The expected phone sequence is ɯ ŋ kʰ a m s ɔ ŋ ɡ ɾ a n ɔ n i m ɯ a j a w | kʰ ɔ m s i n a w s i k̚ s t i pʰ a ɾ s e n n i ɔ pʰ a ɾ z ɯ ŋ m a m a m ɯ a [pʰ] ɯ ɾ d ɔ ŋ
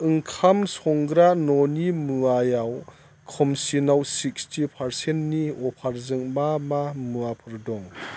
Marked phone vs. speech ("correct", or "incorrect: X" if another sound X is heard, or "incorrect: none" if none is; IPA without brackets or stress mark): correct